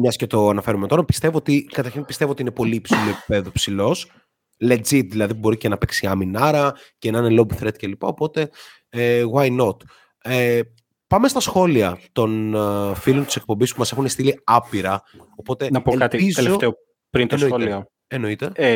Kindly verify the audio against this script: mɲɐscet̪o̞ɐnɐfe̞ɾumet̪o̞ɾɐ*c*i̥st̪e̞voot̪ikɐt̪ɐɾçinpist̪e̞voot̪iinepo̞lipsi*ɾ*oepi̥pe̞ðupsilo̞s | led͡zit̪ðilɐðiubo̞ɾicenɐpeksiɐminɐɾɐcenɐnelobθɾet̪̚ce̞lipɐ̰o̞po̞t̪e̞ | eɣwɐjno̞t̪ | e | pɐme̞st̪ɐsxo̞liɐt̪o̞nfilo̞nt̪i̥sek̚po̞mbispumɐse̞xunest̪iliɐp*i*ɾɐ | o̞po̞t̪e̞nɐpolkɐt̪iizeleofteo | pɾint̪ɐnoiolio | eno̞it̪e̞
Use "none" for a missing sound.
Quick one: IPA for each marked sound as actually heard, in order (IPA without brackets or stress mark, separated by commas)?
p, l, i